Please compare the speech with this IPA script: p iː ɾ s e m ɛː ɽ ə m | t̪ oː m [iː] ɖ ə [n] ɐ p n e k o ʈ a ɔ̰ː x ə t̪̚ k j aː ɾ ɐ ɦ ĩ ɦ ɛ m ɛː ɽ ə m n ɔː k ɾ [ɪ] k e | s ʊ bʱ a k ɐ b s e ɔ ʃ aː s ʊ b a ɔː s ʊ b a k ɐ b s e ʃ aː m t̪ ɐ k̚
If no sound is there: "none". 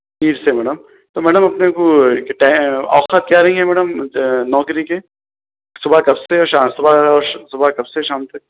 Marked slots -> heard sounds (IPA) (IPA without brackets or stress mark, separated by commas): ɛː, m, i